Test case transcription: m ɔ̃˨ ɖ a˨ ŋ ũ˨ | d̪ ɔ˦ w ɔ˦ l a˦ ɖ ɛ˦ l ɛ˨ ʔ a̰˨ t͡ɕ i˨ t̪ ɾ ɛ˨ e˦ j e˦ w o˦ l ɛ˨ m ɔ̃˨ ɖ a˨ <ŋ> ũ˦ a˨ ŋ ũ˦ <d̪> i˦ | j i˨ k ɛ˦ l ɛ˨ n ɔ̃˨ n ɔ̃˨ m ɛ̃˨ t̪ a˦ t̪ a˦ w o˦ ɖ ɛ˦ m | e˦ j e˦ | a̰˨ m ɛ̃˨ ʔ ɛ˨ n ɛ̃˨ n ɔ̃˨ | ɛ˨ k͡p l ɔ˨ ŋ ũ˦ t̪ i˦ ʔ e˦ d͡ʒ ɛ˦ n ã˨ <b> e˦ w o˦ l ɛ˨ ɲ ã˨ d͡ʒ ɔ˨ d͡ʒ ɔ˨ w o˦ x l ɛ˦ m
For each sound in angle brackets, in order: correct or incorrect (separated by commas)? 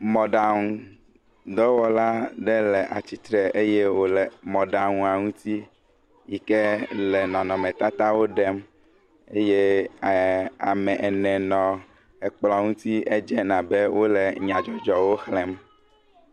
correct, incorrect, correct